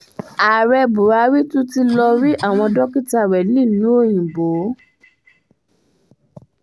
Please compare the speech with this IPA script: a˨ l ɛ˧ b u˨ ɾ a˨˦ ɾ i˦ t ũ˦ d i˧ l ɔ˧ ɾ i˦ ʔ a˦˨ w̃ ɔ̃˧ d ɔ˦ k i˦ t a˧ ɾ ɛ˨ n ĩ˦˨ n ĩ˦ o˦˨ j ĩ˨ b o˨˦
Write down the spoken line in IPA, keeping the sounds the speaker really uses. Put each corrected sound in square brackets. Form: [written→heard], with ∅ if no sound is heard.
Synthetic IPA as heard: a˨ [l→ɾ] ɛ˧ b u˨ ɾ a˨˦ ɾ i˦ t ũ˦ [d→t] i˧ l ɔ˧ ɾ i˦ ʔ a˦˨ w̃ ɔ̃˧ d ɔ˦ k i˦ t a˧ ɾ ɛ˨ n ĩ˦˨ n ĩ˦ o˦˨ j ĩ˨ b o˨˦